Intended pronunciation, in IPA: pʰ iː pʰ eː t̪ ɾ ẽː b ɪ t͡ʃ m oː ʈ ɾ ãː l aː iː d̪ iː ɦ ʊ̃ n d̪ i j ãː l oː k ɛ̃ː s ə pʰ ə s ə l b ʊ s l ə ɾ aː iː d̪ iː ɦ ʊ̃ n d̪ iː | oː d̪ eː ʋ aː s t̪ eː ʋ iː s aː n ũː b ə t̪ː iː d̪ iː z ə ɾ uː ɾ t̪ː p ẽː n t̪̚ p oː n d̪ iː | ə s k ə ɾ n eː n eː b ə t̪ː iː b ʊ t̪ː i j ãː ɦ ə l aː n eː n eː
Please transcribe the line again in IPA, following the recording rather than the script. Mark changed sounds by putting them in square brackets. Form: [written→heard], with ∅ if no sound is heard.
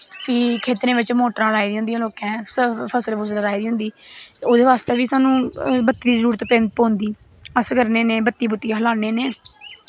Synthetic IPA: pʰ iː [pʰ→kʰ] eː t̪ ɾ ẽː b ɪ t͡ʃ m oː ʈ ɾ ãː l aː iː d̪ iː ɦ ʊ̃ n d̪ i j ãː l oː k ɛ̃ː s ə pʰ ə s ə l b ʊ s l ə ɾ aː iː d̪ iː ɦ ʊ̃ n d̪ iː | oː d̪ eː ʋ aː s t̪ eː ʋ iː s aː n ũː b ə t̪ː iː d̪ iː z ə ɾ uː ɾ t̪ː p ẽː n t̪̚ p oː n d̪ iː | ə s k ə ɾ n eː n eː b ə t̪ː iː b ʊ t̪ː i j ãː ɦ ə l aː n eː n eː